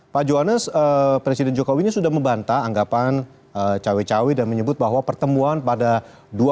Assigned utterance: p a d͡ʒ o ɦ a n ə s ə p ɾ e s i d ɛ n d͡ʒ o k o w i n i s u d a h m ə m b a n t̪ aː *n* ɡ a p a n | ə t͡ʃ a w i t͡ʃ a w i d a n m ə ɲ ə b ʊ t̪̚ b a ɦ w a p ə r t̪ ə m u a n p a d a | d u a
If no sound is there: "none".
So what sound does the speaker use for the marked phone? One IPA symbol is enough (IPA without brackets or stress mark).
ŋ